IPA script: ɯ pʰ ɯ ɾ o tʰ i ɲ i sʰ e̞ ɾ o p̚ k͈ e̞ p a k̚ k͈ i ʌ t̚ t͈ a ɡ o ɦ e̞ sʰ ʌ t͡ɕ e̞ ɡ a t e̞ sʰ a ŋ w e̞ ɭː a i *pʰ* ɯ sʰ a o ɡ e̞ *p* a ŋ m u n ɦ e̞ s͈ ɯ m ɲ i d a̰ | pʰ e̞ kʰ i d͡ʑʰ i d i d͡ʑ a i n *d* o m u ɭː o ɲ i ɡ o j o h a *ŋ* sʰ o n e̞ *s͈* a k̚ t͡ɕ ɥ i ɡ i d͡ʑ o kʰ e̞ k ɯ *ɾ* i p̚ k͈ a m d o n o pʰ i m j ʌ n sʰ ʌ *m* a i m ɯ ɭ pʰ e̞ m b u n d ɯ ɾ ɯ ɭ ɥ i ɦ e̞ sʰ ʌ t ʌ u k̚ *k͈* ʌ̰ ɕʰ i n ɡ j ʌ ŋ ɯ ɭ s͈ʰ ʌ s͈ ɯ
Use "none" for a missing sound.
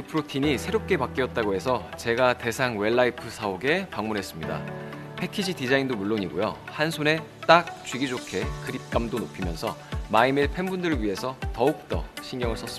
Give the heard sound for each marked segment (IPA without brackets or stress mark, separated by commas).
pʰ, p, d, n, t͈, ɾ, m, t͈